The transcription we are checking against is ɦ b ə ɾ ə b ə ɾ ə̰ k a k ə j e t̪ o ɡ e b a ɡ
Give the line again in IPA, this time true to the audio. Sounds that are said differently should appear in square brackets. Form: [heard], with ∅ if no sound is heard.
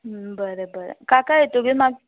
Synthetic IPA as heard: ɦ b ə ɾ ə b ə ɾ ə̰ k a k [a] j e t̪ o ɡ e [m] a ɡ